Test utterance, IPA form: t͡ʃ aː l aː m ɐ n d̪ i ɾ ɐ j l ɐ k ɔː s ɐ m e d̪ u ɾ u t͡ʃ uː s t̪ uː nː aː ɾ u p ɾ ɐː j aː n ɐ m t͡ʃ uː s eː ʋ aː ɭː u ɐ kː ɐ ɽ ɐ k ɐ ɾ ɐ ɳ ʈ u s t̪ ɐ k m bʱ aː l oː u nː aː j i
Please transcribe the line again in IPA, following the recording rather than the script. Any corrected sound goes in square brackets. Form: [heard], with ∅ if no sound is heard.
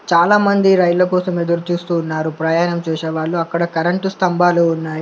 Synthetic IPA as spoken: t͡ʃ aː l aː m ɐ n d̪ i ɾ ɐ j l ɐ k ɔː s ɐ m e d̪ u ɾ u t͡ʃ uː s t̪ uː nː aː ɾ u p ɾ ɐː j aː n ɐ m t͡ʃ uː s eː ʋ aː ɭː u ɐ kː ɐ ɽ ɐ k ɐ ɾ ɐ ɳ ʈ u s t̪ ɐ [∅] m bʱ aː l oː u nː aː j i